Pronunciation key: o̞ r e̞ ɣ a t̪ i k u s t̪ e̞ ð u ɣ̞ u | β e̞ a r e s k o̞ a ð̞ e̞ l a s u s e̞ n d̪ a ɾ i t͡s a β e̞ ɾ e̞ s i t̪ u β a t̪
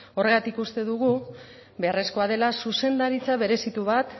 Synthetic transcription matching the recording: o̞ r e̞ ɣ a t̪ i k u s t̪ e̞ ð u ɣ̞ u | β e̞ a r e s k o̞ a ð̞ e̞ l a s u s e̞ n d̪ a ɾ i t͡s a β e̞ ɾ e̞ s i t̪ u β a t̪